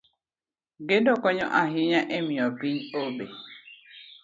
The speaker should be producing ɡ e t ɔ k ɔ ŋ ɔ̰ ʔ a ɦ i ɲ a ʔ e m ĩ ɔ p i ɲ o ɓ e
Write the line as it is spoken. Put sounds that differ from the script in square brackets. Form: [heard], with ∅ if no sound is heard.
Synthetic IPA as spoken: ɡ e [d] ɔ k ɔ [ɲ] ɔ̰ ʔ a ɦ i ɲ a ʔ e m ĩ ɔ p i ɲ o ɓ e